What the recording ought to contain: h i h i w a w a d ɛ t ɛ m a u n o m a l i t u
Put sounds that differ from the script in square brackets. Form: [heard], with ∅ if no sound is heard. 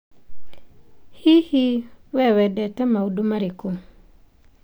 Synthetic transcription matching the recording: h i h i w [ɛ] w [ɛ] d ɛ t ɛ m a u [d] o m a [ɾ] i [k] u